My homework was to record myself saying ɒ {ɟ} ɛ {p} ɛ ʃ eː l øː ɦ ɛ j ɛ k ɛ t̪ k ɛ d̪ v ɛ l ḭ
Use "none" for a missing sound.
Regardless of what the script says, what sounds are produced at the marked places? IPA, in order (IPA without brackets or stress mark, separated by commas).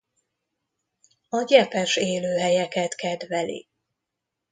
ɟ, p